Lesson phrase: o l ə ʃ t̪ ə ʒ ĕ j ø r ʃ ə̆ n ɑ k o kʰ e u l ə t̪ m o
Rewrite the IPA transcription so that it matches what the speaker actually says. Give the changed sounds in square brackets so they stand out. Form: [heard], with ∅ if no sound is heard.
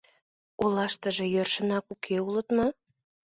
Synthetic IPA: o l [ɑ] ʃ t̪ ə ʒ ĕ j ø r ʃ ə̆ n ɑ k [u] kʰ e u l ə t̪ m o